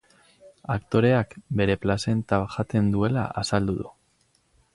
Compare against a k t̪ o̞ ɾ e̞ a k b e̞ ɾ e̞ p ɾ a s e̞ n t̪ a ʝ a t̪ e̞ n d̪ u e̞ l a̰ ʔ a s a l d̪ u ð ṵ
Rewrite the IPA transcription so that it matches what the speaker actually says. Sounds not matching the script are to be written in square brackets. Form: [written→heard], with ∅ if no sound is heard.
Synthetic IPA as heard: a k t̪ o̞ ɾ e̞ a k b e̞ ɾ e̞ p [ɾ→l] a s e̞ n t̪ a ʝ a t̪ e̞ n d̪ u e̞ l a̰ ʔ a s a l d̪ u ð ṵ